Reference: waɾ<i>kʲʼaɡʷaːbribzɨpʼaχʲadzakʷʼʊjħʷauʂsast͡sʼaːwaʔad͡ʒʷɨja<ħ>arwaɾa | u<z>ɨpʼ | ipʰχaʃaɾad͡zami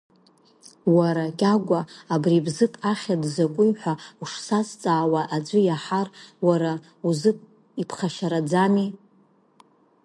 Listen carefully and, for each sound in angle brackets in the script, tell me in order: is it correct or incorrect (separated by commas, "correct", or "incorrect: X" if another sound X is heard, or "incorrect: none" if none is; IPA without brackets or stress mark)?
incorrect: a, correct, correct